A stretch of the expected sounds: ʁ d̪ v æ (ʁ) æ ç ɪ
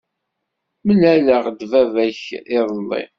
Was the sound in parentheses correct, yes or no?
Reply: no